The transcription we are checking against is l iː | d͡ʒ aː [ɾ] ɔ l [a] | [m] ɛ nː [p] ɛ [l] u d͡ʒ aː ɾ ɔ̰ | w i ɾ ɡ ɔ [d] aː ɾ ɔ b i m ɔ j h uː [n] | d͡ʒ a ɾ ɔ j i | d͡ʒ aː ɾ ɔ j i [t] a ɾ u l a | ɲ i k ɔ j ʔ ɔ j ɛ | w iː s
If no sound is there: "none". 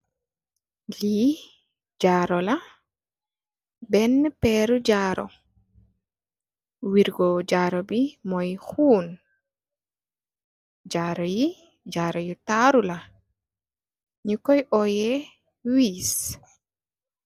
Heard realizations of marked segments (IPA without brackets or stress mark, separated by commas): ɾ, a, b, p, ɾ, d͡ʒ, n, t